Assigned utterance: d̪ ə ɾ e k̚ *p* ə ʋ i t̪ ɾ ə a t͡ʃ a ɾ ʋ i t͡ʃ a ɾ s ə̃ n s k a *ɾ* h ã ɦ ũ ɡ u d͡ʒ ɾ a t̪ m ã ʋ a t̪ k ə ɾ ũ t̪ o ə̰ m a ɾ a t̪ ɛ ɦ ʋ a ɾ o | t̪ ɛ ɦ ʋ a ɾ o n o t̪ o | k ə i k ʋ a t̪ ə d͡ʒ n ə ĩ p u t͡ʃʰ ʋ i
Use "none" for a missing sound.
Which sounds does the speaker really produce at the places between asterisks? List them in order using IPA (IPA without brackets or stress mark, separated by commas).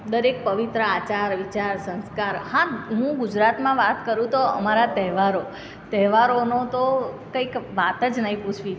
p, ɾ